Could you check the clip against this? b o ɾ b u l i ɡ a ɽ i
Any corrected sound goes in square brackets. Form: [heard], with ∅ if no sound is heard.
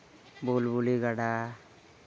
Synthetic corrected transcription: b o [l] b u l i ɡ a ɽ [a]